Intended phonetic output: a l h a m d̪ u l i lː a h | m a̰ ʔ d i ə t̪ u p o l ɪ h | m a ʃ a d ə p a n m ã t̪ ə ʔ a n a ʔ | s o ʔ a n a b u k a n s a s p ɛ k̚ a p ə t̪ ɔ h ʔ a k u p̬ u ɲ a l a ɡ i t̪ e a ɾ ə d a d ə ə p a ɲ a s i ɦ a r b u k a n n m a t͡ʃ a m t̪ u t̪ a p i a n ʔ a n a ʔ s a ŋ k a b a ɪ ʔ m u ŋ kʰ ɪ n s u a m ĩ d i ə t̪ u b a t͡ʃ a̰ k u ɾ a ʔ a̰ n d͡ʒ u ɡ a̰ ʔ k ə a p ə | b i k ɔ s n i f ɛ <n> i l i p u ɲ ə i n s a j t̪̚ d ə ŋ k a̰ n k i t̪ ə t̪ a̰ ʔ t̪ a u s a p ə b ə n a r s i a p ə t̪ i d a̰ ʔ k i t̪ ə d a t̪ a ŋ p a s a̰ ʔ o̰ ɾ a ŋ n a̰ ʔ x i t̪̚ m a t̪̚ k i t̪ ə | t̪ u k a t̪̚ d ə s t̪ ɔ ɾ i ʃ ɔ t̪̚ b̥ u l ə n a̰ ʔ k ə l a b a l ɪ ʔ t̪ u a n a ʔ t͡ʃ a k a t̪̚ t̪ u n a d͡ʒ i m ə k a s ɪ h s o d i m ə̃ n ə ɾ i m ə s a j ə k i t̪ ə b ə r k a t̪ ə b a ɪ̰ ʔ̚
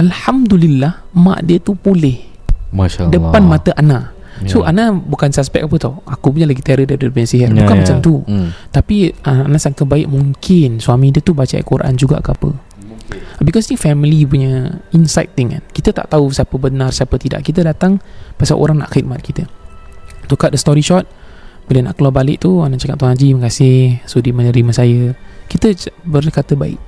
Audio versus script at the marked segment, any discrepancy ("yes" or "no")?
yes